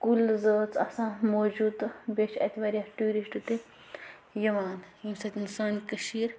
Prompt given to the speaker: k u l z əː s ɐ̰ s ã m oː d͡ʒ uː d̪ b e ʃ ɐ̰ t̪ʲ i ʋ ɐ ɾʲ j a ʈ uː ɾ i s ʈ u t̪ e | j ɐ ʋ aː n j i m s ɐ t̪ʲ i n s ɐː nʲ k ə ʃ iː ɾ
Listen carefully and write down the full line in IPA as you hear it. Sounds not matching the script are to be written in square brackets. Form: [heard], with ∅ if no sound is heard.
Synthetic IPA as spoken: k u l z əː [t͡s] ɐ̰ s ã m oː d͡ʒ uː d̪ b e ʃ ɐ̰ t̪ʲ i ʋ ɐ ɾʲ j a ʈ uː ɾ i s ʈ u t̪ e | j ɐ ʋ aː n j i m s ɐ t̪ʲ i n s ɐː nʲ k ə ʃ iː ɾ